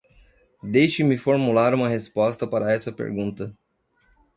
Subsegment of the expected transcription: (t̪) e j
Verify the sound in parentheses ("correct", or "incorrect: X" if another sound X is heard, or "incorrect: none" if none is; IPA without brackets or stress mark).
incorrect: d̪